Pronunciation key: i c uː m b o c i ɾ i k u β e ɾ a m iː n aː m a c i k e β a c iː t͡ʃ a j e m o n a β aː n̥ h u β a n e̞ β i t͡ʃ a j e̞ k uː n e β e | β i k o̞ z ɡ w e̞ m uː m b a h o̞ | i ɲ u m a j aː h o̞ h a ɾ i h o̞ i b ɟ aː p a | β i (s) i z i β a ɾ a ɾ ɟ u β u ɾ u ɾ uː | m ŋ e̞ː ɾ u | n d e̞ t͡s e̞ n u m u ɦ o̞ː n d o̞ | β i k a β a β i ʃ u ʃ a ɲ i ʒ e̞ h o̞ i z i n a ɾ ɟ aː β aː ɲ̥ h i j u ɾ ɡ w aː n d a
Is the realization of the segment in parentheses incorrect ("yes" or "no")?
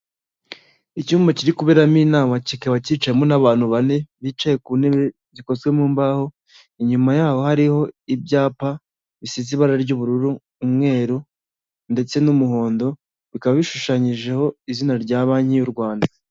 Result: no